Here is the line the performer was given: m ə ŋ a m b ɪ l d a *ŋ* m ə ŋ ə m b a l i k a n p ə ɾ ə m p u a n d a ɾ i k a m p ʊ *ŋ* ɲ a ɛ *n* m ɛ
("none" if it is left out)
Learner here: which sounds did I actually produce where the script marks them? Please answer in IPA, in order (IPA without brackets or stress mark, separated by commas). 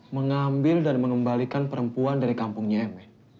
n, ŋ, none